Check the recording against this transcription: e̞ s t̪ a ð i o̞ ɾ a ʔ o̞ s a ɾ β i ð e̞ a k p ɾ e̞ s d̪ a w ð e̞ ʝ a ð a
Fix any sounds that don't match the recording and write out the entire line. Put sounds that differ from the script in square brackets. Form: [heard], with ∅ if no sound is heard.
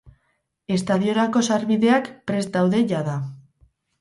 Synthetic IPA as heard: e̞ s t̪ a ð i o̞ ɾ a [k] o̞ s a ɾ β i ð e̞ a k p ɾ e̞ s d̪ a w ð e̞ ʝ a ð a